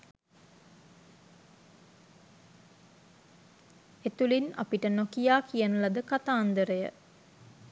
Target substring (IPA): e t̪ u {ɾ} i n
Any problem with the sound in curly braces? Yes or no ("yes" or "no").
yes